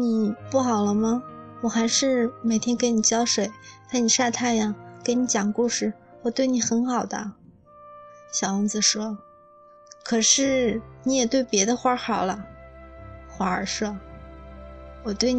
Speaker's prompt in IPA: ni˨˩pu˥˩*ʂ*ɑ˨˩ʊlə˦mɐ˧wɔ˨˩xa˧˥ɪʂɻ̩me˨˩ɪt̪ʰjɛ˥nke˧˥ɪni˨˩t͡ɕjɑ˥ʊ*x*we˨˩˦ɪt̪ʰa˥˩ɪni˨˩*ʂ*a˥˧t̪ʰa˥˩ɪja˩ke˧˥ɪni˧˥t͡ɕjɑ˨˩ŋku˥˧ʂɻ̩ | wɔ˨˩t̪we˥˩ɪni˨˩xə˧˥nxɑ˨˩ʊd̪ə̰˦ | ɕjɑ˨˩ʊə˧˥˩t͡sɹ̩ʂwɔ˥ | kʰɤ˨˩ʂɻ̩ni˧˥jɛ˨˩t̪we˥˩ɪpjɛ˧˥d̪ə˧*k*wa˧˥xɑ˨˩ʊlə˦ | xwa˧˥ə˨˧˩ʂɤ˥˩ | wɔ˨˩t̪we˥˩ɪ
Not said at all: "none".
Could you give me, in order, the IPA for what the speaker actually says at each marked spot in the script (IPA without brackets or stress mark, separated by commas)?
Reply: x, ʂ, ʂ, x